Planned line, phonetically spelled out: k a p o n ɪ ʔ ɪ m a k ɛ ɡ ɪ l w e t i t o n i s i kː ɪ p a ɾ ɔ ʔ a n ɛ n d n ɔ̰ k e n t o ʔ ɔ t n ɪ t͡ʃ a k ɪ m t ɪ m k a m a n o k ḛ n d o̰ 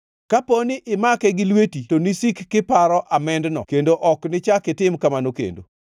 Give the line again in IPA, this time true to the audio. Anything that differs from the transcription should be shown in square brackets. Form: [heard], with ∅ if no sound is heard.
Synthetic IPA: k a p o n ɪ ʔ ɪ m a k ɛ ɡ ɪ l w e t i t o n i s i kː ɪ p a ɾ ɔ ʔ a [m] ɛ n d n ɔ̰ k e n [d] o ʔ ɔ [k] n ɪ t͡ʃ a k ɪ [∅] t ɪ m k a m a n o k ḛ n d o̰